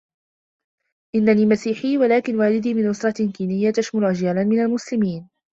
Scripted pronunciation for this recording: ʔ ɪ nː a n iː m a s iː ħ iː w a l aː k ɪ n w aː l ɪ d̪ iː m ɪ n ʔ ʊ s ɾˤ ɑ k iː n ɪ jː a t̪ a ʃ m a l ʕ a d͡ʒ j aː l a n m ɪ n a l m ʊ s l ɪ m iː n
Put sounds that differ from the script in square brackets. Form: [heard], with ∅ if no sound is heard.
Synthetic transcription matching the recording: ʔ ɪ nː a n iː m a s iː ħ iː w a l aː k ɪ n w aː l ɪ d̪ iː m ɪ n ʔ ʊ s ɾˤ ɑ k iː n ɪ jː a t̪ a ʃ m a l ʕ a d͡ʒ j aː l a n m ɪ n a l m ʊ s l ɪ m iː n